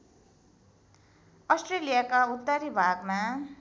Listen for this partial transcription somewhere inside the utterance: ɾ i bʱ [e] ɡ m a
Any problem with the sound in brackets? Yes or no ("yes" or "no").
yes